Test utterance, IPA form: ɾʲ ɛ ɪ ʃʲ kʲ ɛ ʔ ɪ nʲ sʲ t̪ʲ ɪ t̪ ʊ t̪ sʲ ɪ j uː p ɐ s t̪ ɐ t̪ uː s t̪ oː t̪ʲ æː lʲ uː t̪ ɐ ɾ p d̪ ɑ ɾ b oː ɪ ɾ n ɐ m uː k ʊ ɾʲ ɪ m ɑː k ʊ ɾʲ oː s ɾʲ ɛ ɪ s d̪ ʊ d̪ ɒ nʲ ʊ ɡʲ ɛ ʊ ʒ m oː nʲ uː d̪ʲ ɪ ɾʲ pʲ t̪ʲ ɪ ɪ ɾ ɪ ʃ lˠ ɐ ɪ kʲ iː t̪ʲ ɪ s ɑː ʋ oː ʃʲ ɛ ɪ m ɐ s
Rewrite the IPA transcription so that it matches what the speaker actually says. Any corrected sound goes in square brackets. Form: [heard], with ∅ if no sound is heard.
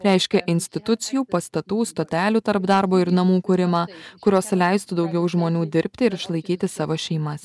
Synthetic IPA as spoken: ɾʲ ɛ ɪ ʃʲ kʲ ɛ ʔ ɪ nʲ sʲ t̪ʲ ɪ t̪ ʊ t̪ sʲ ɪ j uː p ɐ s t̪ ɐ t̪ uː s t̪ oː t̪ʲ æː lʲ uː t̪ ɐ ɾ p d̪ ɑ ɾ b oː ɪ ɾ n ɐ m uː k ʊ ɾʲ ɪ m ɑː k ʊ ɾʲ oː s [lʲ] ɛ ɪ s [t̪] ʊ d̪ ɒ [∅] ʊ ɡʲ ɛ ʊ ʒ m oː nʲ uː d̪ʲ ɪ ɾʲ pʲ t̪ʲ ɪ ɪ ɾ ɪ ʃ lˠ ɐ ɪ kʲ iː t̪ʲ ɪ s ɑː ʋ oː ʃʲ ɛ ɪ m ɐ s